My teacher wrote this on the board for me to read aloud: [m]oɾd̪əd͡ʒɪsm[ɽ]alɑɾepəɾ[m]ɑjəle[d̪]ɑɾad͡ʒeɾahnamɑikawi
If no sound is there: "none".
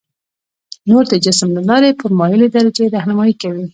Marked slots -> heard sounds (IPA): n, l, m, d̪

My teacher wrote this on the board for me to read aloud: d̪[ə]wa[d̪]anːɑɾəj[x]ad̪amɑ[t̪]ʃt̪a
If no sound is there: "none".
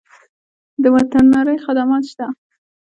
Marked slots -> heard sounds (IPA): ə, t̪, x, t̪

